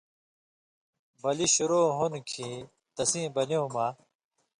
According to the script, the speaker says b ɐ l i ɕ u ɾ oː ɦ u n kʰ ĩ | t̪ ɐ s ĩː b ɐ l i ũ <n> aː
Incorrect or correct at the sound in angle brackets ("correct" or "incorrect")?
incorrect